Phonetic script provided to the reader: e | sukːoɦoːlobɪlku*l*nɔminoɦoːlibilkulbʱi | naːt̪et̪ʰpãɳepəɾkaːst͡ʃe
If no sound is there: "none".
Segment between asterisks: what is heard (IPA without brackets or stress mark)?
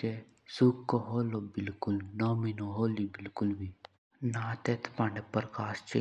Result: l